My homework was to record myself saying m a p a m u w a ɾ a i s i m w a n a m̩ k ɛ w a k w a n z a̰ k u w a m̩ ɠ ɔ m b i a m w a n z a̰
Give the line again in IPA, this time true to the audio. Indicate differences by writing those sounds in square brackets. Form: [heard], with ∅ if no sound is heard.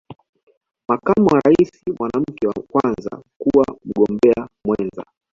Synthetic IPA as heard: m a [k] a m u w a ɾ a i s i m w a n a m̩ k ɛ w a k w a n z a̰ k u w a m̩ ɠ ɔ m b [ɛ] a m w [ɛ] n z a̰

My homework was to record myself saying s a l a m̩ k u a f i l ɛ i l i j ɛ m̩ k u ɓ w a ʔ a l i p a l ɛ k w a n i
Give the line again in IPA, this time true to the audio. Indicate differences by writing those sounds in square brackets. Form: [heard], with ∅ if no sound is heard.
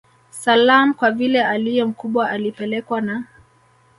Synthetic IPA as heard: s a l a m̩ k [w] a [v] i l ɛ [a] l i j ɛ m̩ k u ɓ w a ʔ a l i p [ɛ] l ɛ k w a n [a]

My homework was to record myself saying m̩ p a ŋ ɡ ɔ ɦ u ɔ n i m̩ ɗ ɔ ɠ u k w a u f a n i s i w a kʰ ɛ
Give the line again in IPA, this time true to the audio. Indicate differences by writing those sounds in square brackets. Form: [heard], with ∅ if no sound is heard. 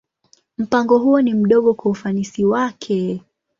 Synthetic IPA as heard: m̩ p a ŋ ɡ ɔ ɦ u ɔ n i m̩ ɗ ɔ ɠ [ɔ] k w a u f a n i s i w a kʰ ɛ

